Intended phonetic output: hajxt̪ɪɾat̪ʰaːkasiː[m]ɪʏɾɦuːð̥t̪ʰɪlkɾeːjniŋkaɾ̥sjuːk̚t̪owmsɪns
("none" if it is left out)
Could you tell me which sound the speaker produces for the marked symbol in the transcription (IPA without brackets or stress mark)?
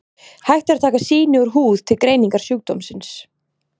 n